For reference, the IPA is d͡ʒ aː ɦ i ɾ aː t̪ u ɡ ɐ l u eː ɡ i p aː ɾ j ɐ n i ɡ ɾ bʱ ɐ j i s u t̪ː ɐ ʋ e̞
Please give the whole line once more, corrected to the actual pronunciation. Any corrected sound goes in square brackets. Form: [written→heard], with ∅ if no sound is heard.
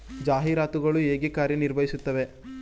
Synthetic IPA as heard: d͡ʒ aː ɦ i ɾ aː t̪ u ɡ ɐ [l→ɭ] u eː ɡ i [p→k] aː ɾ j ɐ n i [ɡ→∅] ɾ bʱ ɐ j i s u t̪ː ɐ ʋ e̞

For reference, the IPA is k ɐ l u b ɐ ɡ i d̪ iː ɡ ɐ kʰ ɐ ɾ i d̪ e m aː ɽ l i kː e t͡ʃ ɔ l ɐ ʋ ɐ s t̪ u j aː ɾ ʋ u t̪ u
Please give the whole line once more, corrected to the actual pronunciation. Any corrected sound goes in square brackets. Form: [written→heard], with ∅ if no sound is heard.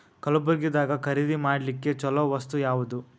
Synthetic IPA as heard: k ɐ l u b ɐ ɡ i d̪ [iː→aː] ɡ ɐ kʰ ɐ ɾ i d̪ [e→i] m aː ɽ l i kː e t͡ʃ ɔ l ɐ ʋ ɐ s t̪ u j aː [ɾ→∅] ʋ u [t̪→d̪] u

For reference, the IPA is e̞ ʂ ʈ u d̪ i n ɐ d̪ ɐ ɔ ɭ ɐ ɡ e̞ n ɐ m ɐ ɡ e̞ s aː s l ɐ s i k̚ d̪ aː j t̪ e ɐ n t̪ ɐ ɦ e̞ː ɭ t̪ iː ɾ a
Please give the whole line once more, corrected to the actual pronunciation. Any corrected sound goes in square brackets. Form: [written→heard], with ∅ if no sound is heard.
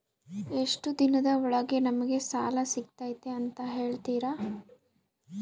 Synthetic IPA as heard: e̞ ʂ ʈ u d̪ i n ɐ d̪ ɐ ɔ ɭ ɐ ɡ e̞ n ɐ m ɐ ɡ e̞ s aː [s→∅] l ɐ s i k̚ [d̪→t̪] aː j t̪ e ɐ n t̪ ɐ ɦ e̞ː ɭ t̪ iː ɾ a

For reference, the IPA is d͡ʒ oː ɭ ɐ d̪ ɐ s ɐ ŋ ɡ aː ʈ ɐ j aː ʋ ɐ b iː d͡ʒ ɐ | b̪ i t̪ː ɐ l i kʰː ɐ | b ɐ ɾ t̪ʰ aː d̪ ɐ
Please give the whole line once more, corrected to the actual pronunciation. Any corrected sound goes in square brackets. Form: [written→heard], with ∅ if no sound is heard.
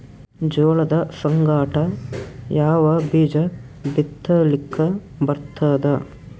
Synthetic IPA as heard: d͡ʒ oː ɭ ɐ d̪ ɐ s ɐ ŋ ɡ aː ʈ ɐ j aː ʋ ɐ b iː d͡ʒ ɐ | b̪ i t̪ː ɐ l i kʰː ɐ | b ɐ ɾ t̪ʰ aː d̪ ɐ

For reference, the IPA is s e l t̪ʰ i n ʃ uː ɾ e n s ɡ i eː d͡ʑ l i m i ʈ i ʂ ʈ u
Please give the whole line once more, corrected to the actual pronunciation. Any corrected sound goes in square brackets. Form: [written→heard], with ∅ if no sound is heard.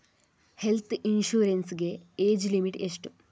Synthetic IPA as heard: [s→h] e l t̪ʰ i n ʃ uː ɾ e n s ɡ [i→e] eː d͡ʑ l i m i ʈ [i→e] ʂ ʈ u

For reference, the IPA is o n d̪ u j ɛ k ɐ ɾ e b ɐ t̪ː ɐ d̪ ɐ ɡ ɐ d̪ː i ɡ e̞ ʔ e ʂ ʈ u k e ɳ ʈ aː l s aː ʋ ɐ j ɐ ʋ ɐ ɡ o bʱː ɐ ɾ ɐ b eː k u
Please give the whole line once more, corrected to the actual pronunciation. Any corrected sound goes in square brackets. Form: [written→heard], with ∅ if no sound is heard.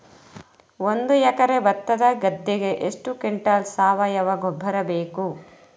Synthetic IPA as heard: o n d̪ u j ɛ k ɐ ɾ e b ɐ t̪ː ɐ d̪ ɐ ɡ ɐ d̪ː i ɡ e̞ ʔ e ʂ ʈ u k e ɳ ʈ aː l s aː ʋ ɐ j ɐ ʋ ɐ ɡ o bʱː ɐ ɾ ɐ b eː k u

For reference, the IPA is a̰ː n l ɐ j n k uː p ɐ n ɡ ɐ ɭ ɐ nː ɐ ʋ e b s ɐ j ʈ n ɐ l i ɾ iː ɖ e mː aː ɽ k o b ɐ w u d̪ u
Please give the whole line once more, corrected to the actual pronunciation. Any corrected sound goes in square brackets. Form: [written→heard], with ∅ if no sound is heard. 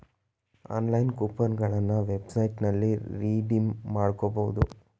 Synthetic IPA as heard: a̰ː n l ɐ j n k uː p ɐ n ɡ ɐ ɭ ɐ nː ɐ ʋ e b s ɐ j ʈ n ɐ [l→lː] i ɾ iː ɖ [e→i] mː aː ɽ k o b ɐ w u d̪ u

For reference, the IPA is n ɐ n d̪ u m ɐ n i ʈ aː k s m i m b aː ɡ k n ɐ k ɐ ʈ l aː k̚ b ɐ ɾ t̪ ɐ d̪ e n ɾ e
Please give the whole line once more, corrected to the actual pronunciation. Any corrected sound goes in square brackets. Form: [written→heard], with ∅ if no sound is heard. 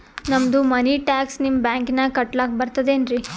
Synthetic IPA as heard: n ɐ [n→m] d̪ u m ɐ n i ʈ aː k s [m→n] i m b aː [ɡ→ŋ] k n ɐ k ɐ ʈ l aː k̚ b ɐ ɾ t̪ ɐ d̪ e n ɾ [e→i]

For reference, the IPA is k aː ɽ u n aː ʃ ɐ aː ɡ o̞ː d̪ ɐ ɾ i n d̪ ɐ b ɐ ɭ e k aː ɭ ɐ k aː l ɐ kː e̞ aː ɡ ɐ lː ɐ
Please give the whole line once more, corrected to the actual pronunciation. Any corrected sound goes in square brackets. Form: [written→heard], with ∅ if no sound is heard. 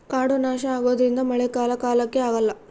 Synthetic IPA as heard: k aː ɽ u n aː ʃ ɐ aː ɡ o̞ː d̪ ɐ ɾ i n d̪ ɐ [b→m] ɐ ɭ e k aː [ɭ→l] ɐ k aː l ɐ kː e̞ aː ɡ ɐ lː ɐ

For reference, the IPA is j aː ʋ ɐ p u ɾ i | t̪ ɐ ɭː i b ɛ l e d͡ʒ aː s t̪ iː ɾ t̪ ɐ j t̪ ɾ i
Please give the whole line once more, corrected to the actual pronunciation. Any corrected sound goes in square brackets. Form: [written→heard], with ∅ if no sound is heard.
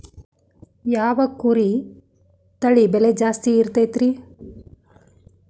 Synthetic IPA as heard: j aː ʋ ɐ [p→k] u ɾ i | t̪ ɐ [ɭː→ɭ] i b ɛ l e d͡ʒ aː s t̪ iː ɾ t̪ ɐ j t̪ ɾ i

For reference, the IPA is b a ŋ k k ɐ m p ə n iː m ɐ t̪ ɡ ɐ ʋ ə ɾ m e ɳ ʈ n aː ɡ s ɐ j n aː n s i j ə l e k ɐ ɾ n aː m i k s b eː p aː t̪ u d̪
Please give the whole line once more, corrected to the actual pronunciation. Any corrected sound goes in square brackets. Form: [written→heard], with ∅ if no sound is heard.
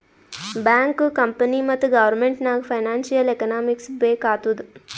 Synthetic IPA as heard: b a ŋ k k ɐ m p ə n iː m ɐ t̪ ɡ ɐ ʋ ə ɾ m e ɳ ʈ n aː ɡ [s→f] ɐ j n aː n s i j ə l e k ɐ [ɾ→∅] n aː m i k s b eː [p→k] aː t̪ u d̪

